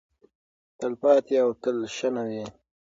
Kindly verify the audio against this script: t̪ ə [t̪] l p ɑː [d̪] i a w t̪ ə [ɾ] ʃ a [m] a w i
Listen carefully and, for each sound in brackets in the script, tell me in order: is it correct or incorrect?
incorrect, incorrect, incorrect, incorrect

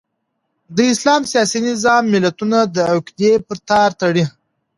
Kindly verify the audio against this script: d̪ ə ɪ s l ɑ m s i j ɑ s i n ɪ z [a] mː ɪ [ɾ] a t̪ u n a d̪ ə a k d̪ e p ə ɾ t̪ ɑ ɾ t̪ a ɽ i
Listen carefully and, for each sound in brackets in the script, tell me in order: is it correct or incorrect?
incorrect, incorrect

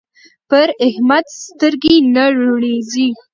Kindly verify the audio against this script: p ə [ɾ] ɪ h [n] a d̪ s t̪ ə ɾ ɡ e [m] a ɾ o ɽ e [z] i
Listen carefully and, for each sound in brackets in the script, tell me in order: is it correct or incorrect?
correct, incorrect, incorrect, correct

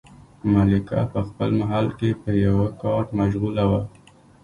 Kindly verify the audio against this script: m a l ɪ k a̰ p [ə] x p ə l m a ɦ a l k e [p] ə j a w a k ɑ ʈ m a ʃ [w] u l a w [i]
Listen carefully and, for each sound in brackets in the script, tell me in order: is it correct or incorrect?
correct, correct, incorrect, incorrect

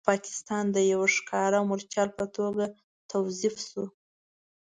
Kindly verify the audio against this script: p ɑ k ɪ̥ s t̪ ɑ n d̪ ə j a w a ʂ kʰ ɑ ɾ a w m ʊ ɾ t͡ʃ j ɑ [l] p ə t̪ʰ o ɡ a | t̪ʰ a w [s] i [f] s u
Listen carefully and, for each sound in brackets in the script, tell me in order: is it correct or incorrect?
correct, incorrect, correct

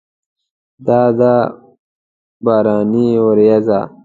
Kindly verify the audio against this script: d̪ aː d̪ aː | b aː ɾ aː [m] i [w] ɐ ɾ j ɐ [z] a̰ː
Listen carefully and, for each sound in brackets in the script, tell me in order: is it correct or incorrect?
incorrect, correct, correct

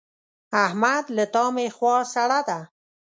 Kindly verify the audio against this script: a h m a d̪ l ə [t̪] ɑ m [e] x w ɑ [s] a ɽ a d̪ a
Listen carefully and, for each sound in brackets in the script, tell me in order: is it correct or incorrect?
correct, correct, correct

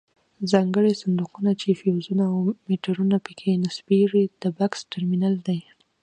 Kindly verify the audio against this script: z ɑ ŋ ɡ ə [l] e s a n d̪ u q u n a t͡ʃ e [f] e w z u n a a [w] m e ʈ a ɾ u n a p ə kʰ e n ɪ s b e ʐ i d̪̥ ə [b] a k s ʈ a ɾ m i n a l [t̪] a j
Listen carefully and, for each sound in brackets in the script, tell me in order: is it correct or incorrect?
incorrect, correct, correct, correct, incorrect

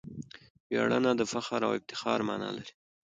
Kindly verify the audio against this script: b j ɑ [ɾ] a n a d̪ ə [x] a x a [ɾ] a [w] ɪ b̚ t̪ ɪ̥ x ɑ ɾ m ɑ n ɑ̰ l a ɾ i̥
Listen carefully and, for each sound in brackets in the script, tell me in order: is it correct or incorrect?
incorrect, incorrect, correct, correct

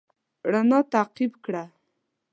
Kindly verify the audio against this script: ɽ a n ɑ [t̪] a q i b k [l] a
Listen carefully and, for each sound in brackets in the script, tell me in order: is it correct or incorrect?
correct, incorrect

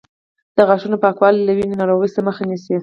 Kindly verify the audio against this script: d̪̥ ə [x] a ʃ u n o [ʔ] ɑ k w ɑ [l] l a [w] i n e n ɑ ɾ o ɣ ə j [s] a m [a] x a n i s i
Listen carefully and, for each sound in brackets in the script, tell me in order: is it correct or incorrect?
incorrect, incorrect, correct, correct, correct, incorrect

